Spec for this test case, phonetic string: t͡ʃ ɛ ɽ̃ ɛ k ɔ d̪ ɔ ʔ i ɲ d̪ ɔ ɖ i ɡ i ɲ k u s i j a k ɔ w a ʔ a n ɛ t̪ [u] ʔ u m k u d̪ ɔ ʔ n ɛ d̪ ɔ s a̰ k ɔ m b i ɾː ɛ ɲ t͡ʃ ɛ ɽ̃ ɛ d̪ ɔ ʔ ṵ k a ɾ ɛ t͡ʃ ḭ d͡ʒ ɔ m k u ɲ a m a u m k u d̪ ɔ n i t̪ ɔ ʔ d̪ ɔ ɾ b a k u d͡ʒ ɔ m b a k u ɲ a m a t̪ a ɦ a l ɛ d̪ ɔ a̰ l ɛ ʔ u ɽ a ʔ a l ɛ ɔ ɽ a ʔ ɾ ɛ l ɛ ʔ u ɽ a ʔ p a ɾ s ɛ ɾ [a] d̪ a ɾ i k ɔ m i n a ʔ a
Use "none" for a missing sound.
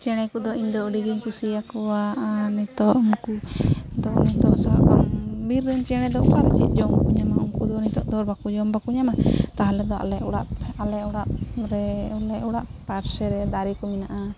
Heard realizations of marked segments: ɔ, ɛ

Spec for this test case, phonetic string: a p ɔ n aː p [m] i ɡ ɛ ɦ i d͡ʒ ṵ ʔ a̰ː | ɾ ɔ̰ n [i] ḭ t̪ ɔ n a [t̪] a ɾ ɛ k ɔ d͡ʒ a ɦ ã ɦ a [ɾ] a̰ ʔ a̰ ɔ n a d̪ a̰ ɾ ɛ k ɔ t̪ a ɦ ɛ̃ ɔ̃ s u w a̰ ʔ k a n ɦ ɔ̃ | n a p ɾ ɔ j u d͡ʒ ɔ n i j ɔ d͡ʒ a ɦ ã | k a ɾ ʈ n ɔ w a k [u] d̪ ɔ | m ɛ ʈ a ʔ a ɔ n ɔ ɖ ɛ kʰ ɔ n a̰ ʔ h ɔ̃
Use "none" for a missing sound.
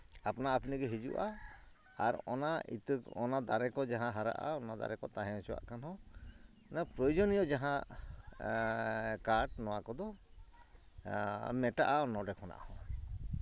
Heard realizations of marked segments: n, a, d̪, ɾ, ɔ

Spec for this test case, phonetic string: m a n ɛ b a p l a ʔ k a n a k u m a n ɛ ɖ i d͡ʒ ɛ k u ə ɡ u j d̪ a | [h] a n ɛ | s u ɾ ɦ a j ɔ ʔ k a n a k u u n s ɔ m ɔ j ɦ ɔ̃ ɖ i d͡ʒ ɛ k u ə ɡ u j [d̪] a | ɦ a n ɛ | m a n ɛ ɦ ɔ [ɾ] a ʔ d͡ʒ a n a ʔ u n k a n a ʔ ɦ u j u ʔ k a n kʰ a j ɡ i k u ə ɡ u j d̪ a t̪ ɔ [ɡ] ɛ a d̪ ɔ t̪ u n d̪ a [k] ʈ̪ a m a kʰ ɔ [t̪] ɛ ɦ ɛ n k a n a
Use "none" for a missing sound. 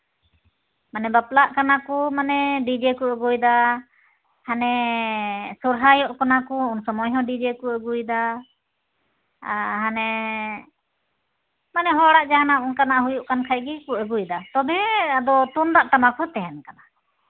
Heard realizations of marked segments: h, d̪, ɽ, b, ʔ, t̪

